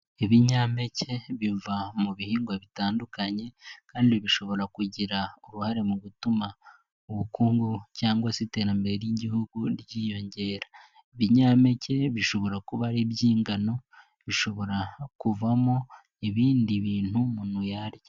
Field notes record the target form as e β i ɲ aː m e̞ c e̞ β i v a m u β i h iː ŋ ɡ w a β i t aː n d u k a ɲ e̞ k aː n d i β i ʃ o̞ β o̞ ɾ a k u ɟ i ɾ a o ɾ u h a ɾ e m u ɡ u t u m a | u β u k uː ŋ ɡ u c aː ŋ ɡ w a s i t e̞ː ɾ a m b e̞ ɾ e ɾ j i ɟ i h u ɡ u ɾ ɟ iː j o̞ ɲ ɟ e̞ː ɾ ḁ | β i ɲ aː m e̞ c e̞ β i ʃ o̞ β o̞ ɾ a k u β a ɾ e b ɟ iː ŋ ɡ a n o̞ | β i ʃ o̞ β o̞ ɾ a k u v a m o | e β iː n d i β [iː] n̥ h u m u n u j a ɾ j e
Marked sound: correct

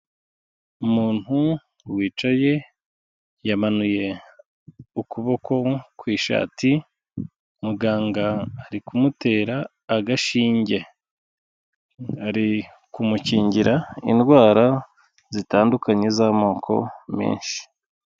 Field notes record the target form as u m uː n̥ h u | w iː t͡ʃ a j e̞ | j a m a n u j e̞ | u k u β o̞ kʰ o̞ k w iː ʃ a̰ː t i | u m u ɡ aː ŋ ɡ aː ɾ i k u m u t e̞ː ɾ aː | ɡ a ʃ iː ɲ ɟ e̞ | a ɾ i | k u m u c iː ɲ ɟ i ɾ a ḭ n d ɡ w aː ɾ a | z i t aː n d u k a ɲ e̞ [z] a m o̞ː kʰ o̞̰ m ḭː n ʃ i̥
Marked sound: correct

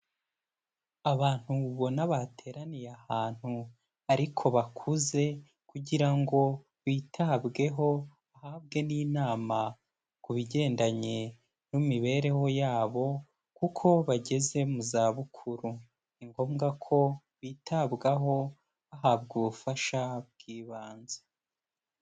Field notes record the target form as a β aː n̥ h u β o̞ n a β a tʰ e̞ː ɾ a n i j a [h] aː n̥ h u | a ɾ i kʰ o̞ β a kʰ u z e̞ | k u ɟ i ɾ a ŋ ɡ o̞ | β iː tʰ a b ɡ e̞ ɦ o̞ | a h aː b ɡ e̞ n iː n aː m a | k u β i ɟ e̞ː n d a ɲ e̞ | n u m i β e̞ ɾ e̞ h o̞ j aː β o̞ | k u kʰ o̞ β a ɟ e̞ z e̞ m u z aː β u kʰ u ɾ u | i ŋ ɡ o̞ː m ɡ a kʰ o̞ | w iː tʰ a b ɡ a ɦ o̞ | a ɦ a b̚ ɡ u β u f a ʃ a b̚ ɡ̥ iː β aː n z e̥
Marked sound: correct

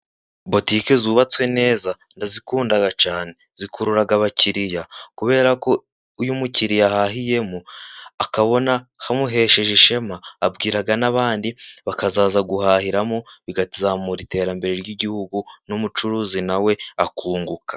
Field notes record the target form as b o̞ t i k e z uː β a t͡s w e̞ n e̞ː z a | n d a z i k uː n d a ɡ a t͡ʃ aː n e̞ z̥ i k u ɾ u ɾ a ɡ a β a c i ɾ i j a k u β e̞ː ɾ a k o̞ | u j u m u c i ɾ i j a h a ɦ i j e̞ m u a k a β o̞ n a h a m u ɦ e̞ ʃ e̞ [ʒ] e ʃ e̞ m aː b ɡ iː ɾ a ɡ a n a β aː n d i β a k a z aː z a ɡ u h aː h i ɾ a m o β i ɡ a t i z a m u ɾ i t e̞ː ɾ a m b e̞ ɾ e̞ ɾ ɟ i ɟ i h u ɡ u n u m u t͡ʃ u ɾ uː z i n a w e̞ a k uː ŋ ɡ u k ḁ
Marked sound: correct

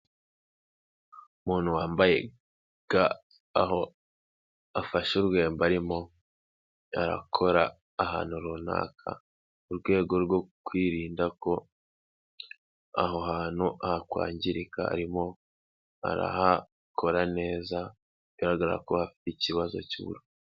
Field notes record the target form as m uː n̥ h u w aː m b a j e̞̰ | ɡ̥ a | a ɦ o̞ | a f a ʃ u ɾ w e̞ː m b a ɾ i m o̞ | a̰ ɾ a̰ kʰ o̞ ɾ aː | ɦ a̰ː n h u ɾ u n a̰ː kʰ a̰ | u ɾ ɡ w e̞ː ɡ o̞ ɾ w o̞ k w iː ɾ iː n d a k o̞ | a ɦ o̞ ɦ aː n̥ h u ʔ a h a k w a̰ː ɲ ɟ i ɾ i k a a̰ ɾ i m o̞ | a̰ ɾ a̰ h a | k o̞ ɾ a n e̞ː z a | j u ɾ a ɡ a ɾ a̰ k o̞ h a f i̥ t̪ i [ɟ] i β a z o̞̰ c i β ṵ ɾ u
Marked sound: incorrect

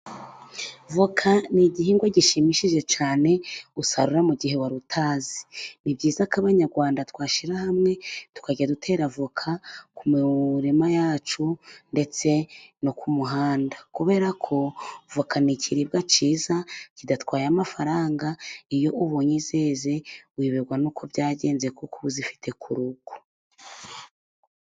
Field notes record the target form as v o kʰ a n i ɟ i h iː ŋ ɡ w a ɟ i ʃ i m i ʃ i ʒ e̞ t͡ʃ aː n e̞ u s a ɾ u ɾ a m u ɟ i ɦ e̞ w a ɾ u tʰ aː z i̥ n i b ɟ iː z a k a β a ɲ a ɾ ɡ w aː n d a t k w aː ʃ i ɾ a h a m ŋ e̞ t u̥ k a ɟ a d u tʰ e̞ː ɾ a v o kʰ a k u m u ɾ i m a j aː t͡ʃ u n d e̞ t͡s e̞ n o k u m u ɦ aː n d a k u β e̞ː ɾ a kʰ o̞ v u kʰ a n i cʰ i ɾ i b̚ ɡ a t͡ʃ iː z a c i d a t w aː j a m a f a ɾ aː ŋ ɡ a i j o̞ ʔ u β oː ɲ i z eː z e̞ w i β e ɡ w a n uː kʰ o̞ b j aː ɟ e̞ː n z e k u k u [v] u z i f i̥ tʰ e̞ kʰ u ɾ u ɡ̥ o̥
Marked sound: incorrect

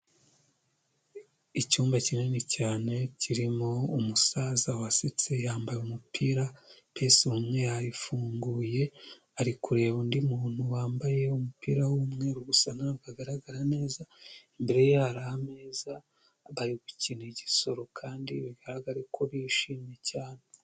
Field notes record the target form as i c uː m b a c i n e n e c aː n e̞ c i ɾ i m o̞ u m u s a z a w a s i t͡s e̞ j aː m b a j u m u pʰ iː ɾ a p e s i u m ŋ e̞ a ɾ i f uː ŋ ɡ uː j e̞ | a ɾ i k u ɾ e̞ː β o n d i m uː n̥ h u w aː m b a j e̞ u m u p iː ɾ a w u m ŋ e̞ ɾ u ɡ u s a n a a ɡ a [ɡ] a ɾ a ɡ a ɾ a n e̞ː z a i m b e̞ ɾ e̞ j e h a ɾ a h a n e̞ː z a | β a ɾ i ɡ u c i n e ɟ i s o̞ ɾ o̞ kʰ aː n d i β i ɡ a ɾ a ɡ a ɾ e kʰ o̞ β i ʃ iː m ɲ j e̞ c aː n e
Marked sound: correct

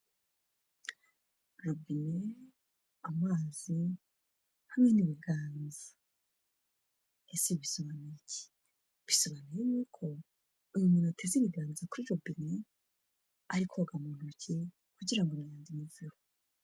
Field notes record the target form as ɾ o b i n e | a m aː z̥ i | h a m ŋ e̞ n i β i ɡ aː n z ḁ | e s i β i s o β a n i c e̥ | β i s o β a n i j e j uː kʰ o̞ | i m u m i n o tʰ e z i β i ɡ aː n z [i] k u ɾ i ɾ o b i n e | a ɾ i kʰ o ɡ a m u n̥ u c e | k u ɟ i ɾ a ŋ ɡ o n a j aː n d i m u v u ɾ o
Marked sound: incorrect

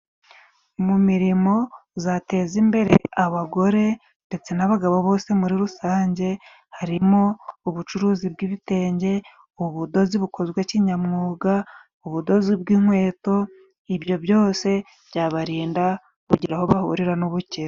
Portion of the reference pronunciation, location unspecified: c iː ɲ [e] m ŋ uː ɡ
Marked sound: incorrect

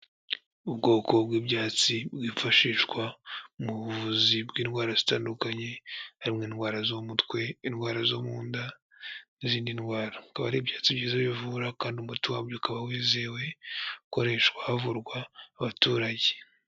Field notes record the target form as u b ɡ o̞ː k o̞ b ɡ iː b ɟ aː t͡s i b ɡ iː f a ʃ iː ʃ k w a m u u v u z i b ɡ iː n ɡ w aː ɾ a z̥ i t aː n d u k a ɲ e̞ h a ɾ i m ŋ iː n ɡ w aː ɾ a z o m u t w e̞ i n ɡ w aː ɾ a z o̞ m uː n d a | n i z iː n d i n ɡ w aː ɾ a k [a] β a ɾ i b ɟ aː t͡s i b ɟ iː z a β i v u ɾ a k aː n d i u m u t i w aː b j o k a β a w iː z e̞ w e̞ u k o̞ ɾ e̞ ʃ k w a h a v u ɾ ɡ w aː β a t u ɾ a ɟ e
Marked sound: correct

